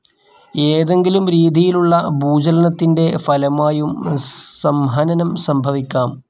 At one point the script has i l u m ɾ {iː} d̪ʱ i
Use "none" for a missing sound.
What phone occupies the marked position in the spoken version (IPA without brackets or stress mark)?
iː